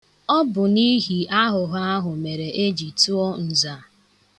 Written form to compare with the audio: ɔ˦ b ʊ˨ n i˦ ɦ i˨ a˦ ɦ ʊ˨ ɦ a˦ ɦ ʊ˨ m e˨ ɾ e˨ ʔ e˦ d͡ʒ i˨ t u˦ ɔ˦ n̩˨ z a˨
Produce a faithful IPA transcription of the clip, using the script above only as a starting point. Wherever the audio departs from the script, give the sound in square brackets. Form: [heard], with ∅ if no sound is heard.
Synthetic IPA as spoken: ɔ˦ b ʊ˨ n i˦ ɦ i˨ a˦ ɦ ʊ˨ ɦ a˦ ɦ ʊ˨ m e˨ ɾ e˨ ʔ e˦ d͡ʒ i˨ t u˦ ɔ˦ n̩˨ z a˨

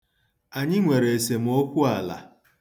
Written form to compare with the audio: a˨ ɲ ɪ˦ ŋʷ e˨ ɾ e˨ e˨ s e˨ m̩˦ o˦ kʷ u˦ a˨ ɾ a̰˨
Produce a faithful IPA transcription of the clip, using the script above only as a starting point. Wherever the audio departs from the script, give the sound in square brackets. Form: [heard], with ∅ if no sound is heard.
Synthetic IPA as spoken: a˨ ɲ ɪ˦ ŋʷ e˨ ɾ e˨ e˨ s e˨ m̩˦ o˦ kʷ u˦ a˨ [l] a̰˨

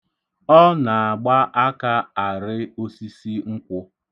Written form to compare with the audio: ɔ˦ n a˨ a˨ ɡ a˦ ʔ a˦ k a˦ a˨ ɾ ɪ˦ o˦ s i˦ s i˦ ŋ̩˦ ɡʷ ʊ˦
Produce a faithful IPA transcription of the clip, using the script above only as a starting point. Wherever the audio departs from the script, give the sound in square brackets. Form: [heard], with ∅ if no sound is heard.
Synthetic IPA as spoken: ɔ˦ n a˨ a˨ [ɡ͡b] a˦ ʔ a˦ k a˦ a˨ ɾ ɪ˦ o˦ s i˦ s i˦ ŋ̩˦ [kʷ] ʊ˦

